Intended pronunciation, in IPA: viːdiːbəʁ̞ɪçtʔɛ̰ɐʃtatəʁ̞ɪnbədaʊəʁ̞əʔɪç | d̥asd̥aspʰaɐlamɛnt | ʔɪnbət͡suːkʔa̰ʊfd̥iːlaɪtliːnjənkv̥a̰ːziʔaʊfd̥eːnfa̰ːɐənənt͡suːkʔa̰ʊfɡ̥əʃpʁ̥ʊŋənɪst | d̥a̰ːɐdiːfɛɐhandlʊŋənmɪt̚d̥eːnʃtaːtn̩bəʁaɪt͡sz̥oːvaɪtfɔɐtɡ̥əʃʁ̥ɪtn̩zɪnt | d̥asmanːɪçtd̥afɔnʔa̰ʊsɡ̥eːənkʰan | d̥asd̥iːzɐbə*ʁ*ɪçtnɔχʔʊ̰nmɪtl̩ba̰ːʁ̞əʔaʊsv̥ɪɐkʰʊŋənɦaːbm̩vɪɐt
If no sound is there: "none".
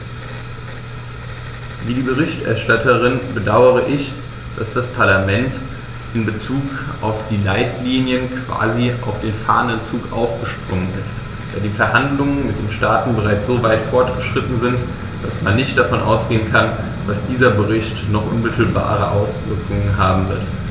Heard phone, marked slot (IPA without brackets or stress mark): ʁ